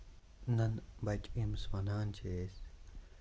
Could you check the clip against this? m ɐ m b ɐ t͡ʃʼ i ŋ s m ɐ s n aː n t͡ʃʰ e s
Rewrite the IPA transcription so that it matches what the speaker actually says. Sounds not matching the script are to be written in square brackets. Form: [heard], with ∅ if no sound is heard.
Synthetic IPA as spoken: [n] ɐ [n] b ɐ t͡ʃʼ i [m] s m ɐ [∅] n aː n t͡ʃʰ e s